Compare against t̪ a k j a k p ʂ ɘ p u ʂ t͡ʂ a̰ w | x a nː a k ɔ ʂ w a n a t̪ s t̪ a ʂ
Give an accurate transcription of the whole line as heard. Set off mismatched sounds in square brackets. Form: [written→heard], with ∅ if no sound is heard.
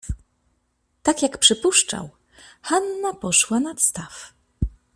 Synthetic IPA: t̪ a k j a k p ʂ ɘ p u ʂ t͡ʂ a̰ w | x a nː a [k→p] ɔ ʂ w a n a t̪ s t̪ a [ʂ→f]